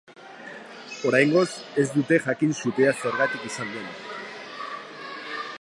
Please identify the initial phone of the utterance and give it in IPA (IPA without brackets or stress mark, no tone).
o̞